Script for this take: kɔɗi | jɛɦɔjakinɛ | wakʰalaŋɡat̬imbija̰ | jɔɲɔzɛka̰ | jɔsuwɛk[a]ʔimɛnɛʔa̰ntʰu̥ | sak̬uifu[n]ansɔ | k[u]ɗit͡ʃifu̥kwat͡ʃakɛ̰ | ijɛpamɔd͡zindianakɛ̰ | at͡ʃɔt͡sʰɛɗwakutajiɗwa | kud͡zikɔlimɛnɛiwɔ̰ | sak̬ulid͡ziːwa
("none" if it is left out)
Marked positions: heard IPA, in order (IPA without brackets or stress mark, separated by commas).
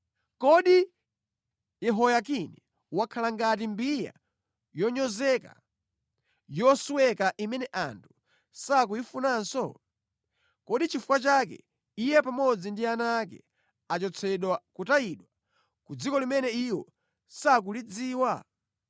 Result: a, n, ɔ